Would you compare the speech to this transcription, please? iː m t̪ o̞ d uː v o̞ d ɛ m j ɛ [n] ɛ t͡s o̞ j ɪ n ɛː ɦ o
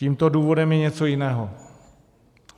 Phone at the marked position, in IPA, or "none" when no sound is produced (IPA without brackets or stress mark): ɲ